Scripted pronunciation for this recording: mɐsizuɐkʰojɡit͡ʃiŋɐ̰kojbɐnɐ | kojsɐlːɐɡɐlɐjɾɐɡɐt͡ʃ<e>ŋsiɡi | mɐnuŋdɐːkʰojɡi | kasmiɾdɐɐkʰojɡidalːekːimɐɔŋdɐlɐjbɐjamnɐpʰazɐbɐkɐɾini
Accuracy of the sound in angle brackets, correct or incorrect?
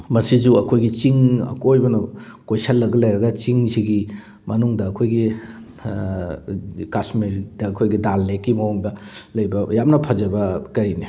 incorrect